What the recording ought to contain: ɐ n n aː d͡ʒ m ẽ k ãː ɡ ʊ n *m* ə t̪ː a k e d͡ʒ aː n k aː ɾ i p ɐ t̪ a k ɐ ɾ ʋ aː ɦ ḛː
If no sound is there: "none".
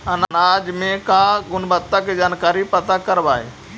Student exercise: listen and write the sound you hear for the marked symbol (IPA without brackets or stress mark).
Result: b